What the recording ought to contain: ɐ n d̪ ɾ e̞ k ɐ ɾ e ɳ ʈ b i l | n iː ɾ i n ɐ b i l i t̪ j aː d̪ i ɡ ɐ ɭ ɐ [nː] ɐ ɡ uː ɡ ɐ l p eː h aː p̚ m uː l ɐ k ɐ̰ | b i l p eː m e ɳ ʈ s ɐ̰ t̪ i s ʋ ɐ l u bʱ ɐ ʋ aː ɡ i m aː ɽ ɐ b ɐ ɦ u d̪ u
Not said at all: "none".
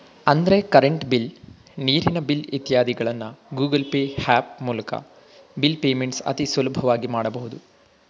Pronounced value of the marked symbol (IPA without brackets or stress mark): nː